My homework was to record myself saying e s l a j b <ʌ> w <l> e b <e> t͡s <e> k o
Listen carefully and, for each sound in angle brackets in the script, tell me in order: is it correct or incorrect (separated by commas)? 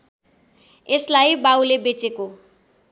incorrect, correct, correct, correct